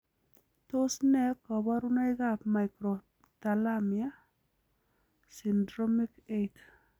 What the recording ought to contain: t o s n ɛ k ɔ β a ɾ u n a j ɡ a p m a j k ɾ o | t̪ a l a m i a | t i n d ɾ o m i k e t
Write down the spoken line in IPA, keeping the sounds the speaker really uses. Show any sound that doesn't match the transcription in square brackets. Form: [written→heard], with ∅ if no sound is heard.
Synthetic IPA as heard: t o s n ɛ k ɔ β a ɾ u n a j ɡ a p m a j k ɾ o | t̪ a l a m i a | [t→s] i n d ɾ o m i k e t